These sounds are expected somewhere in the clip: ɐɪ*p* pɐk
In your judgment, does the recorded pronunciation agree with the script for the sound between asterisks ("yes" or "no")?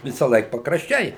no